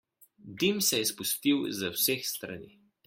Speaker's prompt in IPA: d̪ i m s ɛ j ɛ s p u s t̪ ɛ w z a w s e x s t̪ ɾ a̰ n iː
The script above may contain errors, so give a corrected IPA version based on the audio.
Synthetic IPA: d̪ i m s ɛ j ɛ s p u s t̪ i w z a w s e x s t̪ ɾ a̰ n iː